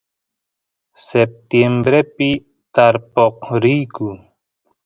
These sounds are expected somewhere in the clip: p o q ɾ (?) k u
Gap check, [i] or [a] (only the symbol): i